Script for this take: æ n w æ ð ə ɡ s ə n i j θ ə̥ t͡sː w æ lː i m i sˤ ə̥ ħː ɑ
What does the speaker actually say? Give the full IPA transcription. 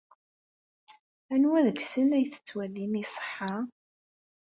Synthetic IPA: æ n w æ ð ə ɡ s ə n æ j θ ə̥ t͡sː w æ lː i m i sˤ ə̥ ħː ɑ